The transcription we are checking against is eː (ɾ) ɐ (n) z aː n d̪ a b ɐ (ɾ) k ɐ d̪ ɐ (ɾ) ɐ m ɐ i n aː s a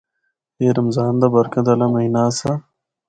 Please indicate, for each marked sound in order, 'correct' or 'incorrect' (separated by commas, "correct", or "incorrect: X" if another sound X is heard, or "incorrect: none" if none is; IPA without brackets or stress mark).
correct, incorrect: m, correct, incorrect: l